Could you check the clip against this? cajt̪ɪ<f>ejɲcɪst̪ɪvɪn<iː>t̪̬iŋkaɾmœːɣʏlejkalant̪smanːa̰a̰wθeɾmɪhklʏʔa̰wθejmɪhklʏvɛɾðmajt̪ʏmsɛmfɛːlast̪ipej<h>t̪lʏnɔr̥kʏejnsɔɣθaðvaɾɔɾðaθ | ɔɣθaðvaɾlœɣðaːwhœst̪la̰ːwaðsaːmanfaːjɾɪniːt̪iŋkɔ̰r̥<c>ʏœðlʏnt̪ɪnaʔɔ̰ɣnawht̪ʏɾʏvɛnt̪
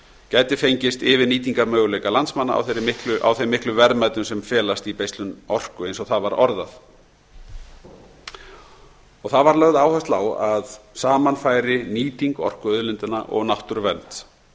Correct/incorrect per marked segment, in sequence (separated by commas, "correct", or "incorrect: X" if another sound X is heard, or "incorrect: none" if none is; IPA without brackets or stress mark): correct, correct, incorrect: s, incorrect: k